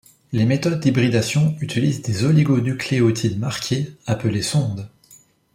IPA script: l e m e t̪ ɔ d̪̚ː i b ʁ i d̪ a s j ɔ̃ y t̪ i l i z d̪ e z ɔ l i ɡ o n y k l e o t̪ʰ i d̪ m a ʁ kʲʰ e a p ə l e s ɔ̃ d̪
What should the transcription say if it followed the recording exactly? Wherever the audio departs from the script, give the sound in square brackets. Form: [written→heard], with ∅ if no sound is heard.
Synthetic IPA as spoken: l e m e t̪ ɔ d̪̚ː i b ʁ i d̪ a s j ɔ̃ y t̪ i l i z d̪ e z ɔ l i ɡ o n y k l e o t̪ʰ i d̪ m a ʁ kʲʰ e a p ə l e s ɔ̃ d̪